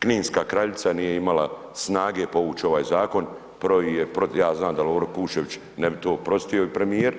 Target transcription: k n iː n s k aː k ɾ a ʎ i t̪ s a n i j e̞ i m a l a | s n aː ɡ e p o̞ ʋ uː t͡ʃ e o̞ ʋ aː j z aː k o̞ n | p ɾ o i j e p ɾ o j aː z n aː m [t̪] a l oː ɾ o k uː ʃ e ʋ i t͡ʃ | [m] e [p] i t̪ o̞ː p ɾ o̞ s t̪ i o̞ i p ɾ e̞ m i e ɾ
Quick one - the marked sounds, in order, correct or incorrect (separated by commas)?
incorrect, incorrect, incorrect